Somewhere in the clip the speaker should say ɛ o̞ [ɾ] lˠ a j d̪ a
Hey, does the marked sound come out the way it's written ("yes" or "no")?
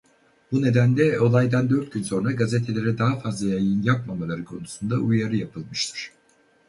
no